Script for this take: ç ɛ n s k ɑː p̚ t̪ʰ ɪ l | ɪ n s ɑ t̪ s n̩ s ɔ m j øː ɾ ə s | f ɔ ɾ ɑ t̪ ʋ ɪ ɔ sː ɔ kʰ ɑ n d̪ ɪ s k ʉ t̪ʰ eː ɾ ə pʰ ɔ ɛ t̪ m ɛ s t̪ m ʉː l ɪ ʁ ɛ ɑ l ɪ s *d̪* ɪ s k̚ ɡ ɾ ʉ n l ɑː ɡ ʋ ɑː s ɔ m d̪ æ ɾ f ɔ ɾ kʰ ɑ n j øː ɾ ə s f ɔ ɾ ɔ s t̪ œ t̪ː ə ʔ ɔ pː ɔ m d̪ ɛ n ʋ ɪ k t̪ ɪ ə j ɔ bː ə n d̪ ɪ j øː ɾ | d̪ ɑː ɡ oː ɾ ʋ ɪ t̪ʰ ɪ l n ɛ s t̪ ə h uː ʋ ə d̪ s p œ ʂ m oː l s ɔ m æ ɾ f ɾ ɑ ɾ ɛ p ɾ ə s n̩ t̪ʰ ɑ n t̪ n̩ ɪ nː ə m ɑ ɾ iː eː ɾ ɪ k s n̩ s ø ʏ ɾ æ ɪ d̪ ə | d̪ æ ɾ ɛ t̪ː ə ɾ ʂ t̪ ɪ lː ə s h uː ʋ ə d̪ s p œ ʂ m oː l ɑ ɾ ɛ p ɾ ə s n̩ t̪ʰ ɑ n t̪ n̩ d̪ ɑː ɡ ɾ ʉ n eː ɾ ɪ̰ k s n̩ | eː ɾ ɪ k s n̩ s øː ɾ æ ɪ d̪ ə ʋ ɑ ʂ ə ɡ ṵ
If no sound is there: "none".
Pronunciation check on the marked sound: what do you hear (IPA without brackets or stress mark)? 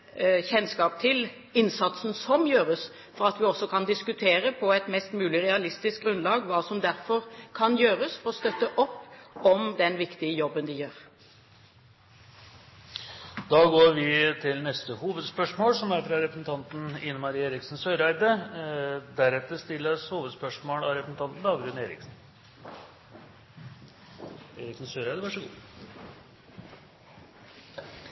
t̪